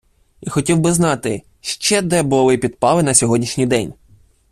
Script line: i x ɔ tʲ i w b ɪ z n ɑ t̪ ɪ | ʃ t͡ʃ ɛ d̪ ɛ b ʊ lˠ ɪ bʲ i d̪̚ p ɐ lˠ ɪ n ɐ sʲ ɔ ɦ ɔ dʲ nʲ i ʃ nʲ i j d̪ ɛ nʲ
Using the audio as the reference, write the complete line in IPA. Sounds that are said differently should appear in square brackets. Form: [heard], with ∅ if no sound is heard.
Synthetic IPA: i x ɔ tʲ i w b ɪ z n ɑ t̪ ɪ | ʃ t͡ʃ ɛ d̪ ɛ b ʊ lˠ ɪ [pʲ] i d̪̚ p [ɑ] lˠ ɪ n ɐ sʲ ɔ ɦ ɔ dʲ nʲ i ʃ nʲ i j d̪ ɛ nʲ